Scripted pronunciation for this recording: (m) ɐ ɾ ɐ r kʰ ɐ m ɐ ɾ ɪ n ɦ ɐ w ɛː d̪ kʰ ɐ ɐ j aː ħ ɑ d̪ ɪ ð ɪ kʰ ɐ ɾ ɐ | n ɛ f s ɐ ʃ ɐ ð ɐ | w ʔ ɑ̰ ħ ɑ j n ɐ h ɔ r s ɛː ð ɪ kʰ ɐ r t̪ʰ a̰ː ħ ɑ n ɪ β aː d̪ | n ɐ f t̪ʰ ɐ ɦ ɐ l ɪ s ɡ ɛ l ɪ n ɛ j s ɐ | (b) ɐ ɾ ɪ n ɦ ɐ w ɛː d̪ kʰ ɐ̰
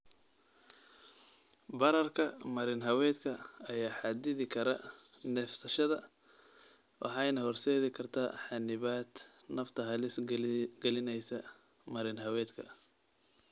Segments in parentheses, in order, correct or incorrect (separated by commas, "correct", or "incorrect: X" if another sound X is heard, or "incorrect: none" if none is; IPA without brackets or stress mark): incorrect: b, incorrect: m